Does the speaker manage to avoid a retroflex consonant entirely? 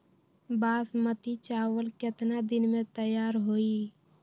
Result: yes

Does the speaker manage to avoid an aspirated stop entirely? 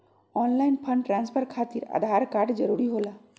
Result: no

